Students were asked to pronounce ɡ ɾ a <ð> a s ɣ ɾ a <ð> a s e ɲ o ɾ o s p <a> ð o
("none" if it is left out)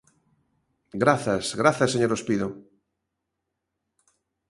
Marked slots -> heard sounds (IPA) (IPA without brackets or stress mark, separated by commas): θ, θ, i